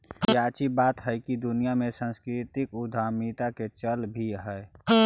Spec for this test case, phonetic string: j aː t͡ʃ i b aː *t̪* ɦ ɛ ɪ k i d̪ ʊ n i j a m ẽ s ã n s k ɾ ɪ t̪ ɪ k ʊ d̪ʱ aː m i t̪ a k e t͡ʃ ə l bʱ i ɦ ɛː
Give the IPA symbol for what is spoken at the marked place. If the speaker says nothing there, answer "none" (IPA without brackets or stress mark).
t̪